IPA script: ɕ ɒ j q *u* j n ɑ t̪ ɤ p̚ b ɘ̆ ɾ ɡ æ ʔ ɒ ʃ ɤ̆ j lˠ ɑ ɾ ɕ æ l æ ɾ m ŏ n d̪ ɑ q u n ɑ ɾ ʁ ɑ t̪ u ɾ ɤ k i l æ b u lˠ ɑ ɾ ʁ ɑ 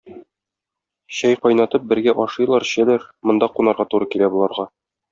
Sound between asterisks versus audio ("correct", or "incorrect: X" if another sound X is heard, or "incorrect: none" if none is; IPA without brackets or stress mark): incorrect: ɒ